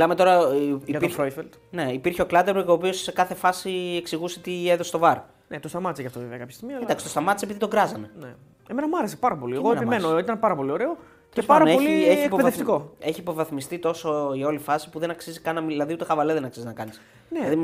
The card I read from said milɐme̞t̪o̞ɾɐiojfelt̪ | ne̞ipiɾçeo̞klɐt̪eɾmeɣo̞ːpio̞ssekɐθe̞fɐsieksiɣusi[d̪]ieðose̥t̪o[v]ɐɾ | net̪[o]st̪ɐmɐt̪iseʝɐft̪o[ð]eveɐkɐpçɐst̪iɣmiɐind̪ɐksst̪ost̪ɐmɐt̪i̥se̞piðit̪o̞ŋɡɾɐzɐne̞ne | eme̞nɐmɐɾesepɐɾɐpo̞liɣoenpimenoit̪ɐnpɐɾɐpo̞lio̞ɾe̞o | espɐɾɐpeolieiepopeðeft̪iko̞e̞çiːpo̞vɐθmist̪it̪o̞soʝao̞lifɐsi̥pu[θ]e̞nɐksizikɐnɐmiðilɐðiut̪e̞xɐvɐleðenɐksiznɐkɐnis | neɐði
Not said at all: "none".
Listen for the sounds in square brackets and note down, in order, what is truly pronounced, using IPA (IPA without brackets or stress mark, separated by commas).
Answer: t̪, v, o, v, ð